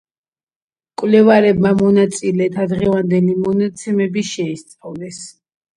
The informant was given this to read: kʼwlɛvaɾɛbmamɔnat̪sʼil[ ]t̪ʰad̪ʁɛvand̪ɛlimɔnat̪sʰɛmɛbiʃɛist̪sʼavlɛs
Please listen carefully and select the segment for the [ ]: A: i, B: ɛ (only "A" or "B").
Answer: B